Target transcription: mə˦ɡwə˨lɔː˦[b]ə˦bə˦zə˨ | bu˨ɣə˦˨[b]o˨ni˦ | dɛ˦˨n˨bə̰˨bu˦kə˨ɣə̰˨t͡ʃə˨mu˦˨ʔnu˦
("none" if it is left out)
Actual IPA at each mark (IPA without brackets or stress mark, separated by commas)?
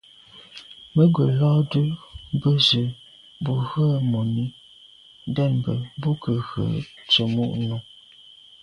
d, m